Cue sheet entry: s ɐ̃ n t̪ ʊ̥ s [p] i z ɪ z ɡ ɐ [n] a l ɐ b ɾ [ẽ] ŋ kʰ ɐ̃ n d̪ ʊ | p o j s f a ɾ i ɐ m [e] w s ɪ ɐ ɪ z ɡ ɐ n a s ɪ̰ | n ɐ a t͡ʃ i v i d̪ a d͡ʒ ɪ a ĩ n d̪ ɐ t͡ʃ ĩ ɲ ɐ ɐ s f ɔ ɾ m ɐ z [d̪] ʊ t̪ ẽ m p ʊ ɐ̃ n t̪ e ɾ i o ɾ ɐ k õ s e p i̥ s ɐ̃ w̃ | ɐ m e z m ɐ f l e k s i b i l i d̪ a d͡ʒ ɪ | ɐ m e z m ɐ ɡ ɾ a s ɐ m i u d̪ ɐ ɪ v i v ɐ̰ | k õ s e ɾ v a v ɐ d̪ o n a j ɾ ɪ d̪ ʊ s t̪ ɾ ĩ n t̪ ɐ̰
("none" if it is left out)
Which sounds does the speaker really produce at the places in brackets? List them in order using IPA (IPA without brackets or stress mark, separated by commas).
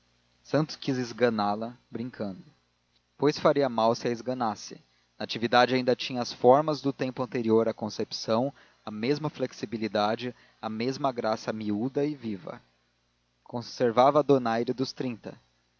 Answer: k, n, ĩ, a, d̪